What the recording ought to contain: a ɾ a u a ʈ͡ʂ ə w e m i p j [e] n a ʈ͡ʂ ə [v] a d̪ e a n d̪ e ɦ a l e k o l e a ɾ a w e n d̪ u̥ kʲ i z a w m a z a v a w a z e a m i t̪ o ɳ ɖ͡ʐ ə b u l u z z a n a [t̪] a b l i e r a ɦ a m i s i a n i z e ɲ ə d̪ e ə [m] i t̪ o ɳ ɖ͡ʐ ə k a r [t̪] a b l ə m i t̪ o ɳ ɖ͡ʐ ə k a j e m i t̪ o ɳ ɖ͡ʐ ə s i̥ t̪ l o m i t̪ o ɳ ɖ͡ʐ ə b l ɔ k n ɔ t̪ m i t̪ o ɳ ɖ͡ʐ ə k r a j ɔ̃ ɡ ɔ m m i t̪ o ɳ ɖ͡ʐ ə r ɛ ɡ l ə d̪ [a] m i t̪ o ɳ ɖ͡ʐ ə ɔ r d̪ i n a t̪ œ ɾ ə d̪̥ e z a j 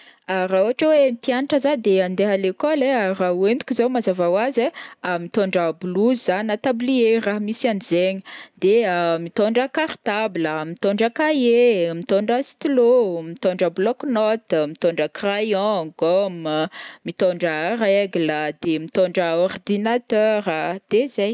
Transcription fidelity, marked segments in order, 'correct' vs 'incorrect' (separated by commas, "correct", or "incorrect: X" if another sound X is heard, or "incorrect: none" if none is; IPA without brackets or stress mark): incorrect: a, incorrect: z, correct, correct, correct, incorrect: e